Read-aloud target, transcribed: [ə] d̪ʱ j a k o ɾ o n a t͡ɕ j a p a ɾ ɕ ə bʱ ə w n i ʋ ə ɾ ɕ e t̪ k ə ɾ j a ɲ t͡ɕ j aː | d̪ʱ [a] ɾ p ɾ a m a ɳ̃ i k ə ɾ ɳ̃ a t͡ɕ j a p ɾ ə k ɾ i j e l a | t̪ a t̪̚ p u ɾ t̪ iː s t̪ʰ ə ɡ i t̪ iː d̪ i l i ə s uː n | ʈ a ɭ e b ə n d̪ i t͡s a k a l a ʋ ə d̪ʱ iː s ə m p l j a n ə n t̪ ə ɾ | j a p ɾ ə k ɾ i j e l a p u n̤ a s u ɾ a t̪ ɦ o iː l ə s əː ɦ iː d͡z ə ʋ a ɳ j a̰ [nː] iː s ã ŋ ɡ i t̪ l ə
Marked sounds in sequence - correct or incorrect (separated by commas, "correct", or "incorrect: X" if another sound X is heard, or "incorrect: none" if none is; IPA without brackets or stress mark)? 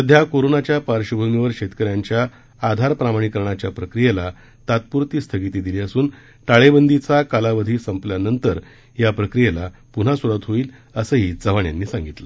correct, correct, correct